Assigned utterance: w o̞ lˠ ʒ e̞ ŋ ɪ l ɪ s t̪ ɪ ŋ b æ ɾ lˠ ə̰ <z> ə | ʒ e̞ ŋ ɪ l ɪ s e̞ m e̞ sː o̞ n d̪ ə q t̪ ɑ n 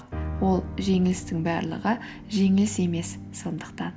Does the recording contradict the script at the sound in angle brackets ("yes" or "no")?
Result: yes